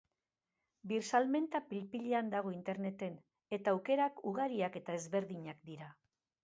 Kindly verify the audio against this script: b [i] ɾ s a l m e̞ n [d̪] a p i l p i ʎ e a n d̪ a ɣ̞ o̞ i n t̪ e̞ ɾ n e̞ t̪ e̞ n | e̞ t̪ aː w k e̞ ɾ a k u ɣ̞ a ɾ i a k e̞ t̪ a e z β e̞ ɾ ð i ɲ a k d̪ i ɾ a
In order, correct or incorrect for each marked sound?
correct, incorrect: t̪

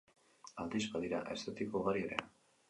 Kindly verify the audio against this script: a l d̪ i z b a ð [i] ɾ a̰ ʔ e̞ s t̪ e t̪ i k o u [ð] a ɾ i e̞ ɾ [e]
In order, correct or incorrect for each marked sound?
correct, incorrect: ɣ, correct

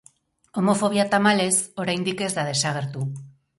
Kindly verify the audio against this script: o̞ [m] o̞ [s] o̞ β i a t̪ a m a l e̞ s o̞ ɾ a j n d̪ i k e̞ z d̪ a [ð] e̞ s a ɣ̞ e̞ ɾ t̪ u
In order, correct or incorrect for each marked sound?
correct, incorrect: f, correct

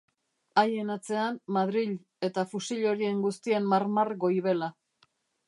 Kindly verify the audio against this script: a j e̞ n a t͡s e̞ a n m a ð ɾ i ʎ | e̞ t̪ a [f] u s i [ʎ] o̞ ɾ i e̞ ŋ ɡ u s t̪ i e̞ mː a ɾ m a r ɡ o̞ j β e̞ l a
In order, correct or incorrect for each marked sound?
correct, correct

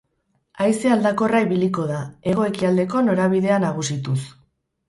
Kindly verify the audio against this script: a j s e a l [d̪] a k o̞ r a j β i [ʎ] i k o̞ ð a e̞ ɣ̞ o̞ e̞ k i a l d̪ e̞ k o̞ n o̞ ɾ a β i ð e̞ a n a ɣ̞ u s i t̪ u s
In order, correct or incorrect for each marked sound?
correct, incorrect: l

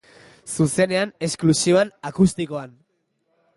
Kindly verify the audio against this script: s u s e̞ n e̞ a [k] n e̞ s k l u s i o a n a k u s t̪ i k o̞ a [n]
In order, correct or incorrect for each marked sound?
incorrect: none, correct

